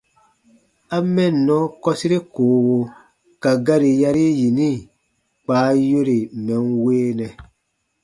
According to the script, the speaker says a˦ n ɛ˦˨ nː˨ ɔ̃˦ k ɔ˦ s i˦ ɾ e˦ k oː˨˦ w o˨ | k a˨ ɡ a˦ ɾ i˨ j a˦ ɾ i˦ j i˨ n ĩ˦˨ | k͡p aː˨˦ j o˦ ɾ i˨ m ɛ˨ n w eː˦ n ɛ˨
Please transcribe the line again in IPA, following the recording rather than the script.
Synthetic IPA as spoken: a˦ m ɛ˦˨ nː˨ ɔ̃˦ k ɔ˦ s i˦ ɾ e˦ k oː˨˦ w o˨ | k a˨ ɡ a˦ ɾ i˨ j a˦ ɾ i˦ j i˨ n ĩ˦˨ | k͡p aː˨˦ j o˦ ɾ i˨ m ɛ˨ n w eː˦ n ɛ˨